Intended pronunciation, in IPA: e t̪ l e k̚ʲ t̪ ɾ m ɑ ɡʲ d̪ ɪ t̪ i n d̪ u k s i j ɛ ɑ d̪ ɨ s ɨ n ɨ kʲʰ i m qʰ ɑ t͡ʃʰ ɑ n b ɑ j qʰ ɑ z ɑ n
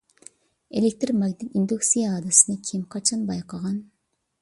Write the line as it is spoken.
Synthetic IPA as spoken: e l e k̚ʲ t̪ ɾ m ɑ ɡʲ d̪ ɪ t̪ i n d̪ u k s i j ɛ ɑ d̪ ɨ s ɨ n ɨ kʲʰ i m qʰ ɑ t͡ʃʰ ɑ n b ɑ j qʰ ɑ ʁ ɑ n